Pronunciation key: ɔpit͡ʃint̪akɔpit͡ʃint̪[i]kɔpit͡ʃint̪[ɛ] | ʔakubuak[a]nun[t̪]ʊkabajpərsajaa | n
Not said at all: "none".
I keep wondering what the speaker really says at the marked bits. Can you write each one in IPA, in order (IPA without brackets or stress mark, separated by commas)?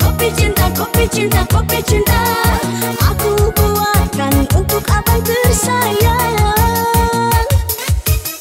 a, a, a, t̪